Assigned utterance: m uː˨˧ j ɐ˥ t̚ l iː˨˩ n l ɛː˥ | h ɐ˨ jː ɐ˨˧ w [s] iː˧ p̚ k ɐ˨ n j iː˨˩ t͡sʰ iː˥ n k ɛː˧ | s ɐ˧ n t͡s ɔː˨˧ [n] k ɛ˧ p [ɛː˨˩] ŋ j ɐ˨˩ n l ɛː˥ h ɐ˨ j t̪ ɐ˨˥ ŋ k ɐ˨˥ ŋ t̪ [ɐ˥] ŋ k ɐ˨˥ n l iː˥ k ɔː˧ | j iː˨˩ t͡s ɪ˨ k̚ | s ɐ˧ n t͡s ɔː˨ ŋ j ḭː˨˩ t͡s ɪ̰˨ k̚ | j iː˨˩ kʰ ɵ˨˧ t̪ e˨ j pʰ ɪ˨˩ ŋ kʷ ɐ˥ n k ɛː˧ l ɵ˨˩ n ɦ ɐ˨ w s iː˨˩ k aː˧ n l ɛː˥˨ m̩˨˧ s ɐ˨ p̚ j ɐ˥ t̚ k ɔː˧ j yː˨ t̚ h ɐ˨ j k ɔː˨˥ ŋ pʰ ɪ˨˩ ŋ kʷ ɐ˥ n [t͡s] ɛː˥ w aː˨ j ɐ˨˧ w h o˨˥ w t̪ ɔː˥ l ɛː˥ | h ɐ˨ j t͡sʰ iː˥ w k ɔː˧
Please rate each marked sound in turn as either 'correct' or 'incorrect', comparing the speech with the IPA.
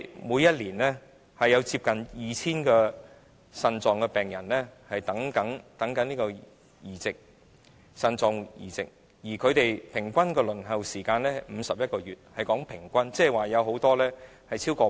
incorrect: t͡s, incorrect: ŋ, correct, incorrect: ɐ˨˥, correct

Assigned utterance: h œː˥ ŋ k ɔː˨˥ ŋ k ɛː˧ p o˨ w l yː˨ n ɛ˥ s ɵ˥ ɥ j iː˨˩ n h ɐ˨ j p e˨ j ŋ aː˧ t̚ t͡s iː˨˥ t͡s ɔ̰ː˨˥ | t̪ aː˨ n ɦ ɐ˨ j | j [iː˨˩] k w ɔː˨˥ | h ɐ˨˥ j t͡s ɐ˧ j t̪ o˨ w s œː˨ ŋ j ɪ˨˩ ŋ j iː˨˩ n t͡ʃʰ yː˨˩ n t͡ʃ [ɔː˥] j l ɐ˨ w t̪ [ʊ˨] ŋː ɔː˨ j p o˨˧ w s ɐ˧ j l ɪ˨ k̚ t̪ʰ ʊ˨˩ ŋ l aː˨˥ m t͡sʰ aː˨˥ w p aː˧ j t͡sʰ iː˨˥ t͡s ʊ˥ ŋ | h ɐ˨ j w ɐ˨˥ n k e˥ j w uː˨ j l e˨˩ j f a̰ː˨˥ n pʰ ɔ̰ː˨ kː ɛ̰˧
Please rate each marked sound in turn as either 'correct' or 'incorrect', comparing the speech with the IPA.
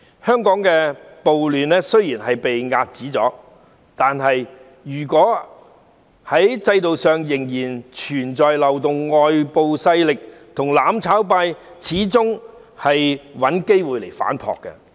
incorrect: yː˨˩, incorrect: ɔː˨, correct

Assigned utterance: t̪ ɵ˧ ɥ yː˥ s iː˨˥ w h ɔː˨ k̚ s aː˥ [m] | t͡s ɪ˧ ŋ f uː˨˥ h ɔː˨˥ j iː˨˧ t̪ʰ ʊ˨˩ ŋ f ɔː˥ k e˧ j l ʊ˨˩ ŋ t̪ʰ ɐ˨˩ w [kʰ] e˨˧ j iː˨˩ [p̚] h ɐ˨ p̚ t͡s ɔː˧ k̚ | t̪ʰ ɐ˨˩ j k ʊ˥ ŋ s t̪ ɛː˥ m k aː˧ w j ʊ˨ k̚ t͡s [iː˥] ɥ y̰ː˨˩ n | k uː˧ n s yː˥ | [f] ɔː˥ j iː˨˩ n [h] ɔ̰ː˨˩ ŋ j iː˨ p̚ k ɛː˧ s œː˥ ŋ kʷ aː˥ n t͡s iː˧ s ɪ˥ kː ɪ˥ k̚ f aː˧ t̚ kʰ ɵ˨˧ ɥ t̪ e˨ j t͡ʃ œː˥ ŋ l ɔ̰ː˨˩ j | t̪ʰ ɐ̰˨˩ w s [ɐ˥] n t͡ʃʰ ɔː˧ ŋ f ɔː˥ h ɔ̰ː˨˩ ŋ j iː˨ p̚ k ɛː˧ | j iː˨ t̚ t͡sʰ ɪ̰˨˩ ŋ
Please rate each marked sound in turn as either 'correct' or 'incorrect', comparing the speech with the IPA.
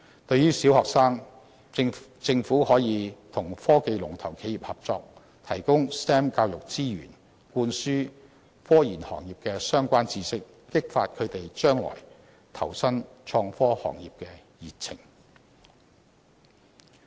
incorrect: ŋ, correct, correct, correct, correct, correct, correct

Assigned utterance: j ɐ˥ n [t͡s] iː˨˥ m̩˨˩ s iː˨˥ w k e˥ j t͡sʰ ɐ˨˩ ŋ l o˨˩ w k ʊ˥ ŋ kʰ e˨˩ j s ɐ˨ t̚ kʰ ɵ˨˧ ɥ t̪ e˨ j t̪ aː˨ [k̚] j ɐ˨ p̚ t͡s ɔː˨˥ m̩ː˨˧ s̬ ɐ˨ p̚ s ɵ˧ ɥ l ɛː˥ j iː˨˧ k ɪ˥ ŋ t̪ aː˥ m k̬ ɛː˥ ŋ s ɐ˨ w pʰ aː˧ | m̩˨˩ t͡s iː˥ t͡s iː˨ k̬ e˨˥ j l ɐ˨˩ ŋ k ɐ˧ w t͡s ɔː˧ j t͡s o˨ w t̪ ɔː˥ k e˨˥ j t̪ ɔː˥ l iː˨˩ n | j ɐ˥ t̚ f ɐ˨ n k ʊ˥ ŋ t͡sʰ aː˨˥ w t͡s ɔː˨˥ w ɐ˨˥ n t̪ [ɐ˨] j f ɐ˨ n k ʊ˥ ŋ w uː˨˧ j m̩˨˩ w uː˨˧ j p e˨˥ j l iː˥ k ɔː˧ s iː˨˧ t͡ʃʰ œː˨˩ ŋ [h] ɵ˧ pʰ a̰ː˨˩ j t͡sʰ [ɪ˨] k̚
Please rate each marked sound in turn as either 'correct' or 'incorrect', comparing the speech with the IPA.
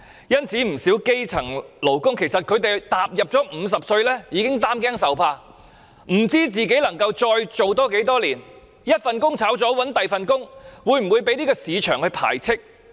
incorrect: t͡sʰ, incorrect: p̚, correct, correct, incorrect: ɪ˥

